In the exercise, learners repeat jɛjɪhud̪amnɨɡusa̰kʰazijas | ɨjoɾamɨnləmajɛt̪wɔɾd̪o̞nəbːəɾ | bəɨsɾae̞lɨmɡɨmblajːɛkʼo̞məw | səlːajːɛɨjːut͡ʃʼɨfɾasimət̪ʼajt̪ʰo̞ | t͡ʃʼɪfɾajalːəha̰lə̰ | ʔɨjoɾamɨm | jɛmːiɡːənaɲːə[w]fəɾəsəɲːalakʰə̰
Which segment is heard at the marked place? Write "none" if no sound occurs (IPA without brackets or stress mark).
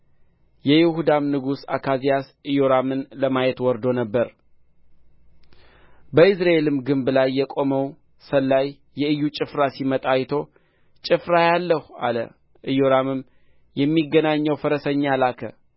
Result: w